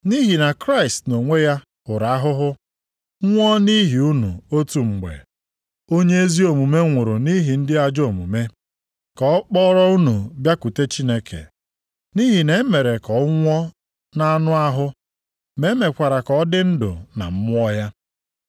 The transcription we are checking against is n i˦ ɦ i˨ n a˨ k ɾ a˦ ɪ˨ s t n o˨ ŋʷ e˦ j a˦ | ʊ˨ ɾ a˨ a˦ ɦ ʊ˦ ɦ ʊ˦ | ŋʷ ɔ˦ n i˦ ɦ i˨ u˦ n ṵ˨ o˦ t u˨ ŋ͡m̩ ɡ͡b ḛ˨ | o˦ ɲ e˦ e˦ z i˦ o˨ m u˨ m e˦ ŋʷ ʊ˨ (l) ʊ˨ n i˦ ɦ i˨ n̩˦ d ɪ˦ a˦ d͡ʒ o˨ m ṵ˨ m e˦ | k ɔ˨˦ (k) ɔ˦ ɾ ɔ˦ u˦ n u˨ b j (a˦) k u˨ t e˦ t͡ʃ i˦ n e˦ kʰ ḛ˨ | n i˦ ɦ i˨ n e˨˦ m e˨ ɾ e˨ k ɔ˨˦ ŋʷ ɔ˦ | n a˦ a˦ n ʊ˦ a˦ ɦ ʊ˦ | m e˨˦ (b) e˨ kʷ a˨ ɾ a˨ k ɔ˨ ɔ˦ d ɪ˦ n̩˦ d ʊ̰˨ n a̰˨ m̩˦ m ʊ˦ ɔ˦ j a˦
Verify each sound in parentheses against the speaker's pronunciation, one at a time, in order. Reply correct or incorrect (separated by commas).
incorrect, incorrect, correct, incorrect